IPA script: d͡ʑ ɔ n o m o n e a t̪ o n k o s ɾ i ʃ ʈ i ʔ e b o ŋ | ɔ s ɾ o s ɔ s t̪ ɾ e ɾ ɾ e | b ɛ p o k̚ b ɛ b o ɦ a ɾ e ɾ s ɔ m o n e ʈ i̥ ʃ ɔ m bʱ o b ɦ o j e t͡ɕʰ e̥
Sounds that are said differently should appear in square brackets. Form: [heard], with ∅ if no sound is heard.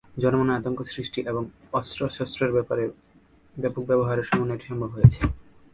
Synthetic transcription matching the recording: d͡ʑ ɔ n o m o n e a t̪ o [ŋ] k o s ɾ i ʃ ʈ i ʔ e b o ŋ | ɔ s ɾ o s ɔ s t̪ ɾ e ɾ ɾ e | b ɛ p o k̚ b ɛ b o ɦ a ɾ e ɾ [ʃ] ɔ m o n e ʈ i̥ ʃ ɔ m bʱ o b ɦ o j e t͡ɕʰ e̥